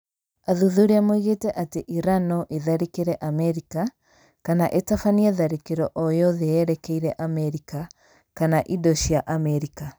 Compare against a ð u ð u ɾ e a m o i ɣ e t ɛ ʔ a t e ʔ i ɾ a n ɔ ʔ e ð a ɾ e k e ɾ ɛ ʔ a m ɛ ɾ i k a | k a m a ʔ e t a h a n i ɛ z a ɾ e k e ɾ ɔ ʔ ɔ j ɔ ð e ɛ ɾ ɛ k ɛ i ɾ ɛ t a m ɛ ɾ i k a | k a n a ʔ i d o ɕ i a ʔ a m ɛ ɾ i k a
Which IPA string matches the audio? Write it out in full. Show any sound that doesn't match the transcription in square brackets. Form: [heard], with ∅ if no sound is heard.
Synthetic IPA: a ð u ð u ɾ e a m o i ɣ e t ɛ ʔ a t e ʔ i ɾ a n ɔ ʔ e ð a ɾ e k e ɾ ɛ ʔ a m ɛ ɾ i k a | k a [n] a ʔ e t a [f] a n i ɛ [ð] a ɾ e k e ɾ ɔ ʔ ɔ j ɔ ð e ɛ ɾ ɛ k ɛ i ɾ ɛ [ʔ] a m ɛ ɾ i k a | k a n a ʔ i d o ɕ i a ʔ a m ɛ ɾ i k a